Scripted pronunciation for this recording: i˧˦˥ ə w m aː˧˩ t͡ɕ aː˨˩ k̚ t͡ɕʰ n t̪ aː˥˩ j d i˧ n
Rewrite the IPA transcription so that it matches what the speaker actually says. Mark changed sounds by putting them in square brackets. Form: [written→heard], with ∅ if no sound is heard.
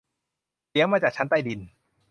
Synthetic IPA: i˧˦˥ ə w m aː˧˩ t͡ɕ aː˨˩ k̚ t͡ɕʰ n t̪ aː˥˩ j d i˧ n

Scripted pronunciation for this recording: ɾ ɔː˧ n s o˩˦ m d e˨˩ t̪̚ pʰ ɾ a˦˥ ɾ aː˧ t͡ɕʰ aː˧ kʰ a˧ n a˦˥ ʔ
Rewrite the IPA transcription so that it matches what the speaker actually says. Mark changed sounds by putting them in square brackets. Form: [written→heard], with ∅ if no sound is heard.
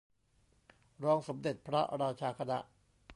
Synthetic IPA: ɾ ɔː˧ [n→ŋ] s o˩˦ m d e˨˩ t̪̚ pʰ ɾ a˦˥ ɾ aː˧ t͡ɕʰ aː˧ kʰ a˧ n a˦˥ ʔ

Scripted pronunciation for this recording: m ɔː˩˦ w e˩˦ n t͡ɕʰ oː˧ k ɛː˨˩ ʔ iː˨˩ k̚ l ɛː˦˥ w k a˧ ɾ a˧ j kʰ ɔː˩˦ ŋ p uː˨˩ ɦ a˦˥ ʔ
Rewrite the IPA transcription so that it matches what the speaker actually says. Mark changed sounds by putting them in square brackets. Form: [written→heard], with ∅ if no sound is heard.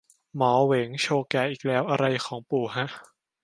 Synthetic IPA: m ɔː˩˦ w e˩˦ [n→ŋ] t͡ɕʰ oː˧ k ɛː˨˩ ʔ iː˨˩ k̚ l ɛː˦˥ w [k→ʔ] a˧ ɾ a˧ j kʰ ɔː˩˦ ŋ p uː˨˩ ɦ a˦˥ ʔ

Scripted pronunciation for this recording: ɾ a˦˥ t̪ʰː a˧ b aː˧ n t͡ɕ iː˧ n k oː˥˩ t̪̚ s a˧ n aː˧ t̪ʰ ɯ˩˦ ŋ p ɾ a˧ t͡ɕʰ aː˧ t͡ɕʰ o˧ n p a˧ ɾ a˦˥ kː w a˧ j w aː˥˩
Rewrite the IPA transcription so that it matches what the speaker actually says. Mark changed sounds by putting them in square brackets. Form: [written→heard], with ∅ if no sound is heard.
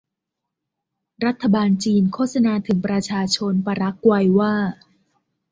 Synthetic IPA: ɾ a˦˥ t̪ʰː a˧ b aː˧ n t͡ɕ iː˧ n [k→kʰ] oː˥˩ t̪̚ s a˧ n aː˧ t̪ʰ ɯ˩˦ ŋ p ɾ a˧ t͡ɕʰ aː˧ t͡ɕʰ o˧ n p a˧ ɾ a˦˥ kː w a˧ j w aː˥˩

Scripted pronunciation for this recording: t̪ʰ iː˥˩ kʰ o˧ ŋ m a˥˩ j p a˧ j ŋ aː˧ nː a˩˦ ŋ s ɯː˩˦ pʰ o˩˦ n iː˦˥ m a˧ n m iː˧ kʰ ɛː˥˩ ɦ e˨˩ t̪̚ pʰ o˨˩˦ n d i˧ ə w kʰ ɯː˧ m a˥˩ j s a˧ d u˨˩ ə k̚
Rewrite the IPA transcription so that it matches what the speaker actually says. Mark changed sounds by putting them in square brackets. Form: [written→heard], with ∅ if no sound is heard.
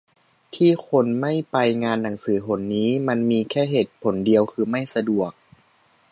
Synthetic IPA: t̪ʰ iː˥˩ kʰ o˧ [ŋ→n] m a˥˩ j p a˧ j ŋ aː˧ nː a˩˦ ŋ s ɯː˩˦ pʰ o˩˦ [n→nː] iː˦˥ m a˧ n m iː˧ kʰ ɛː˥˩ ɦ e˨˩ t̪̚ pʰ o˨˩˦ n d i˧ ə w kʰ ɯː˧ m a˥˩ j s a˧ d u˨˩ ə k̚

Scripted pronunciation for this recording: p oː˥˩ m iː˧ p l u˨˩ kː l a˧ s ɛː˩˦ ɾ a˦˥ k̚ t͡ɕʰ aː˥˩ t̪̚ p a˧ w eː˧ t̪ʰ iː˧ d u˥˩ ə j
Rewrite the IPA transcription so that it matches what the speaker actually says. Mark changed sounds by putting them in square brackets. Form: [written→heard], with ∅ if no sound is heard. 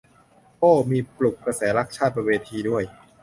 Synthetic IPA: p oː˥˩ m iː˧ p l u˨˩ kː [l→ɾ] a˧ s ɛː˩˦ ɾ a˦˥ k̚ t͡ɕʰ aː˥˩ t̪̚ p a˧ w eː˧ t̪ʰ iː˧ d u˥˩ ə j

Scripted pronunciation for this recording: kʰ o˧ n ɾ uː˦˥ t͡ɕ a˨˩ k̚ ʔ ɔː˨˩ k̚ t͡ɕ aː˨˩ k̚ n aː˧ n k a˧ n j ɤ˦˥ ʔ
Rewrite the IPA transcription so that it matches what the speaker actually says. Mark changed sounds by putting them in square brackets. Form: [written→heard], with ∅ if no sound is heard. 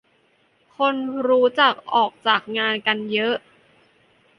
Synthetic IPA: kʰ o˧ n ɾ uː˦˥ t͡ɕ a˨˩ k̚ ʔ ɔː˨˩ k̚ t͡ɕ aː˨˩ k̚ [n→ŋ] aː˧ n k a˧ n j ɤ˦˥ ʔ

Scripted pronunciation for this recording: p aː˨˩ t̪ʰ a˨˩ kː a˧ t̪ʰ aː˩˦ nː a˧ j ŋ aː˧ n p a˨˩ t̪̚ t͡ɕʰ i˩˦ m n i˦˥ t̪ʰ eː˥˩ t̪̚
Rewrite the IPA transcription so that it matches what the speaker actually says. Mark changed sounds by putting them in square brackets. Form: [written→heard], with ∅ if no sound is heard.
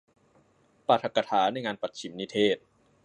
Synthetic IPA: p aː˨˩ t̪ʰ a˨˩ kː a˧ t̪ʰ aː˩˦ [nː→n] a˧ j ŋ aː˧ n p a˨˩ t̪̚ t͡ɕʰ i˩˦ m n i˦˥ t̪ʰ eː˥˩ t̪̚

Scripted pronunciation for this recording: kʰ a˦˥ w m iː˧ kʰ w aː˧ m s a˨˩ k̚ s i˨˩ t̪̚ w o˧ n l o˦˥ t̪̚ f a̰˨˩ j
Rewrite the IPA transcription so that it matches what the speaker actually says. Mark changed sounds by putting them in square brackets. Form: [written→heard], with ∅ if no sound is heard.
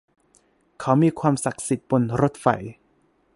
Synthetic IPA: kʰ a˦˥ w m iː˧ kʰ w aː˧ m s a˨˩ k̚ s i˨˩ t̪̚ [w→b] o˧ n [l→ɾ] o˦˥ t̪̚ f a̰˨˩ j

